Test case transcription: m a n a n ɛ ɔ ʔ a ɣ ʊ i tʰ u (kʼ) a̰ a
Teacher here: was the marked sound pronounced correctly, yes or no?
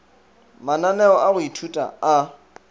no